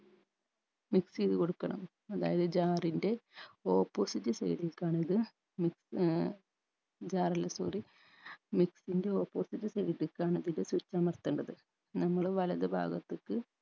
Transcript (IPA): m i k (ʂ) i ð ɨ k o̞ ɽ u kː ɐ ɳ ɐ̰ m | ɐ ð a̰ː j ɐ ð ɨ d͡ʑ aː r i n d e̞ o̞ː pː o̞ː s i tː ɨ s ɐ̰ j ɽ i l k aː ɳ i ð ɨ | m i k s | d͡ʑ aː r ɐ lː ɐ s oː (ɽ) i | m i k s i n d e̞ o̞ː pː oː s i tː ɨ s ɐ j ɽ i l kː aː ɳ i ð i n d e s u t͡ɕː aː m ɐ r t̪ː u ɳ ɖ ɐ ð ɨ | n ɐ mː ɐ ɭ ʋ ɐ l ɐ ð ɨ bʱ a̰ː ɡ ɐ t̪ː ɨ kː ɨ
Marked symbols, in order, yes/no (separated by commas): no, no